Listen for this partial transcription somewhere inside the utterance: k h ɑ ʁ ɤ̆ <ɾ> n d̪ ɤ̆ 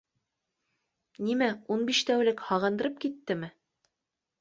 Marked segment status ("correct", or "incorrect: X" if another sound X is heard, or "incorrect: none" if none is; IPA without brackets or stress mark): incorrect: none